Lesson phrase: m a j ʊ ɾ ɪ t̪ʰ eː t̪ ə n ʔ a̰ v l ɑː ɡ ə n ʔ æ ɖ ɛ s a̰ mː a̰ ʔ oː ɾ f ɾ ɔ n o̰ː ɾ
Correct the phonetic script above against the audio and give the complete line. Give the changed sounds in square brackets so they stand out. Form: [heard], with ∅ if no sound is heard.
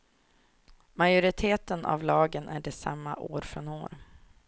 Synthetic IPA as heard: m a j ʊ ɾ ɪ t̪ʰ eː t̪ ə n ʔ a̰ v l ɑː ɡ ə n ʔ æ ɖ ɛ s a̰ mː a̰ ʔ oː ɾ f ɾ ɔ n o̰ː ɾ